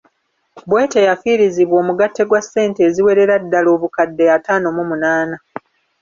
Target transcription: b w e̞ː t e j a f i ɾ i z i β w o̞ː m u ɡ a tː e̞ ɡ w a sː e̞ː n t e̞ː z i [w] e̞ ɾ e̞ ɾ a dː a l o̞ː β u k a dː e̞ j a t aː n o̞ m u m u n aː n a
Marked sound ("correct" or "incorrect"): correct